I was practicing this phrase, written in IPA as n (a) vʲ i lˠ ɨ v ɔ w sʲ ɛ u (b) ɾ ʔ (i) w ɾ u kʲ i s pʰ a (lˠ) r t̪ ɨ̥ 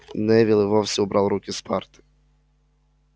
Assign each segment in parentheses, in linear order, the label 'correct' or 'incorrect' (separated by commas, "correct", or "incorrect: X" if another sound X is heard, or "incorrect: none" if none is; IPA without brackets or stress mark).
incorrect: ɛ, correct, incorrect: a, incorrect: none